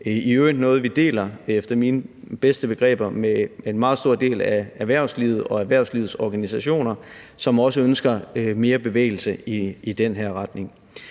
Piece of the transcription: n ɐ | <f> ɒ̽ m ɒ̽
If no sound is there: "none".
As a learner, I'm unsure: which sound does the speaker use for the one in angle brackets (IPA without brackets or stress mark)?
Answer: s